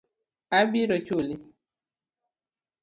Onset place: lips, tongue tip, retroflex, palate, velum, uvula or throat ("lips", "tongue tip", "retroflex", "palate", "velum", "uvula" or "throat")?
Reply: lips